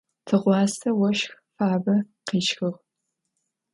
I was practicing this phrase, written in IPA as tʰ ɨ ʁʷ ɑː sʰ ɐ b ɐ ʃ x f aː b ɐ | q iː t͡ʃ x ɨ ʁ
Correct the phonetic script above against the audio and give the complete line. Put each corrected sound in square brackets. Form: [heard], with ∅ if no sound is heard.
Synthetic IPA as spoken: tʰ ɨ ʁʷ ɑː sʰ ɐ [w] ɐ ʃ x f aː b ɐ | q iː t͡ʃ x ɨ ʁ